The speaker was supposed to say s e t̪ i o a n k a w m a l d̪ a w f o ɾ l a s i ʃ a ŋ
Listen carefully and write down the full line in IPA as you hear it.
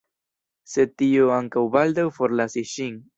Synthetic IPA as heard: s e t̪ i o a ŋ k a w b a l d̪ a w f o ɾ l a s i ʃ i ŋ